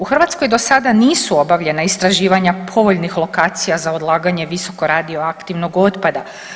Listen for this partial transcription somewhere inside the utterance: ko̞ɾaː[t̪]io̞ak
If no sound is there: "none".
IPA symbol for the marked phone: d̪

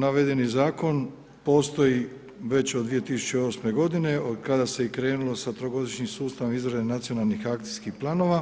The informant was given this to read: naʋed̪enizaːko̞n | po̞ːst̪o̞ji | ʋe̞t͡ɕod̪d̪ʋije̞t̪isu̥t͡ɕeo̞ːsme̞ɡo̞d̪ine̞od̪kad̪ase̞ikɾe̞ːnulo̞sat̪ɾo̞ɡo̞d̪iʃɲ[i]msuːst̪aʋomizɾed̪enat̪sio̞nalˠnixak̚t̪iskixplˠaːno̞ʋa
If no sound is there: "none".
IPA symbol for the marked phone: i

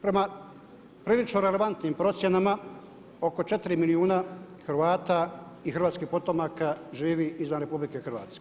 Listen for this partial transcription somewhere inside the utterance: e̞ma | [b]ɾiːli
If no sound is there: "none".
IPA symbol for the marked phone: p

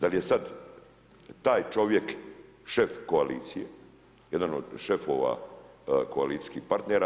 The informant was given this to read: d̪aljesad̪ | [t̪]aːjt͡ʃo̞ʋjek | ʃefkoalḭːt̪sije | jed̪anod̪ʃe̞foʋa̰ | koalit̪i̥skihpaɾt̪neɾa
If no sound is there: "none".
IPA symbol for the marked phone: t̪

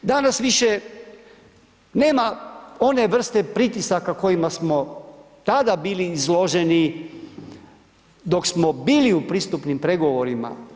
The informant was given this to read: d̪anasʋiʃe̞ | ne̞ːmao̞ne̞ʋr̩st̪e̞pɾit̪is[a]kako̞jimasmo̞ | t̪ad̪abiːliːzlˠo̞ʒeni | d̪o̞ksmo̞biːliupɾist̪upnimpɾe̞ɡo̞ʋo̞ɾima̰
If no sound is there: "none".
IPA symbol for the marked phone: a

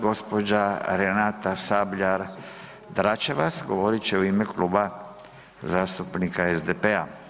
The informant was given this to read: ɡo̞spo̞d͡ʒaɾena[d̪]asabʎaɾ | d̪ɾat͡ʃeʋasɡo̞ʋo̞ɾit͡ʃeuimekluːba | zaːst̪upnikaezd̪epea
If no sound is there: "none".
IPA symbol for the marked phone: t̪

